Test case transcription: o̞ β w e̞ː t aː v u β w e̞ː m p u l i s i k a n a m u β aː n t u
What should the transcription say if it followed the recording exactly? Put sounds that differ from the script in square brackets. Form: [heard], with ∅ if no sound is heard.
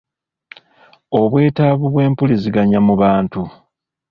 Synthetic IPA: o̞ β w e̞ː t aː [β] u β w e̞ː m p u l i [z] i [ɡ] a [ɲ] a m u β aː n t u